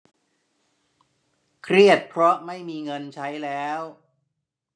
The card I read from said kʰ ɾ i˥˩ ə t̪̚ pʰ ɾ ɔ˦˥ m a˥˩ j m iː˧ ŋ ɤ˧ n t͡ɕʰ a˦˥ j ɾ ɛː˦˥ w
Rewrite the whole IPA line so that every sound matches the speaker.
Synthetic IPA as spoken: kʰ ɾ i˥˩ ə t̪̚ pʰ ɾ ɔ˦˥ m a˥˩ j m iː˧ ŋ ɤ˧ n t͡ɕʰ a˦˥ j l ɛː˦˥ w